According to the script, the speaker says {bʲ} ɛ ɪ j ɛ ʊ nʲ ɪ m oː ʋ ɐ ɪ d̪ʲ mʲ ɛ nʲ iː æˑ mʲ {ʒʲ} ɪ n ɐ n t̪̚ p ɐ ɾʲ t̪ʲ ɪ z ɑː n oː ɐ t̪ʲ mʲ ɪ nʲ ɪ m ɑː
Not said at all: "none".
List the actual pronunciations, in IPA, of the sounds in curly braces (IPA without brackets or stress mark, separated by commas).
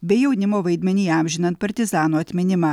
bʲ, ʒʲ